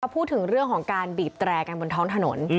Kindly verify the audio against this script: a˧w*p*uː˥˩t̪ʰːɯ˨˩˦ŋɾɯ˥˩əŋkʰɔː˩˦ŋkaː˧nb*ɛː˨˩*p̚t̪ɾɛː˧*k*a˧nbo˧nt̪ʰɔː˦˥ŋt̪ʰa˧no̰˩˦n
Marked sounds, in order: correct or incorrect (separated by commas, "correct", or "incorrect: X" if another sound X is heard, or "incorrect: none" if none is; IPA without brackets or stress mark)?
incorrect: pʰ, incorrect: iː˨˩, correct